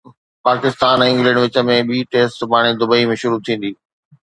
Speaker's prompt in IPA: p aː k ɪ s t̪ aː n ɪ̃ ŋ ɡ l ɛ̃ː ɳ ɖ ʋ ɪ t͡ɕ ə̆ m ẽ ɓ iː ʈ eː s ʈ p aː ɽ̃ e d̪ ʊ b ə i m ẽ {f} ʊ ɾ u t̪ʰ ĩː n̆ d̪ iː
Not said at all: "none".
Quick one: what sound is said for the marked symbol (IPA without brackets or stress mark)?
ʃ